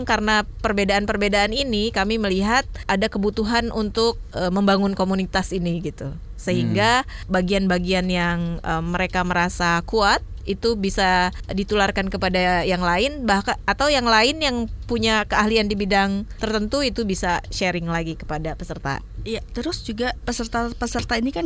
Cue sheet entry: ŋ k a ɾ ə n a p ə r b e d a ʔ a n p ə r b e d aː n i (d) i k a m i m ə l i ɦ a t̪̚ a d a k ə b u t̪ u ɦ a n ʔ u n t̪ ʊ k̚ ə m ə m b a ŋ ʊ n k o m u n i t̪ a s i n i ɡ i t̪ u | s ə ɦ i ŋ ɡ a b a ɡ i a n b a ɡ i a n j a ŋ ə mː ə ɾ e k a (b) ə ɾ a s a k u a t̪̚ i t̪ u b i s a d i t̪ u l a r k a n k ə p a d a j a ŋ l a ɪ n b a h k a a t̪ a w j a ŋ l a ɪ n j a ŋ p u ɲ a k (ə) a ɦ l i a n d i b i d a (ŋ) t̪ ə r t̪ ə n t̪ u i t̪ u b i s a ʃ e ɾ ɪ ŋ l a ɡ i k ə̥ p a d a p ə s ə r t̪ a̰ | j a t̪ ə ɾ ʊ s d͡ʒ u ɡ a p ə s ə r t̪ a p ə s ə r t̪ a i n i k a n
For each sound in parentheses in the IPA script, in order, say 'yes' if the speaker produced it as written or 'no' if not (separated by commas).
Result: no, no, yes, yes